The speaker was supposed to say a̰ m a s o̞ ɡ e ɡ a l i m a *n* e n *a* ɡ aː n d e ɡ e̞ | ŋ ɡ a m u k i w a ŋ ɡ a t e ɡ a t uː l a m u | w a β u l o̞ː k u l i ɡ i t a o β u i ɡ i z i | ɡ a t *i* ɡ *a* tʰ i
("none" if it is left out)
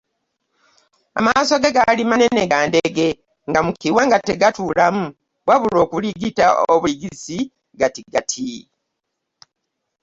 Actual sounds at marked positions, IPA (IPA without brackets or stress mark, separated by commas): n, e, i, a